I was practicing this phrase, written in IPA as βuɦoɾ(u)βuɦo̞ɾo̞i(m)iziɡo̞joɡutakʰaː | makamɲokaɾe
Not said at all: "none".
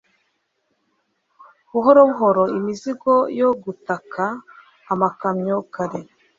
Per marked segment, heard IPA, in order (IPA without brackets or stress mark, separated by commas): o, m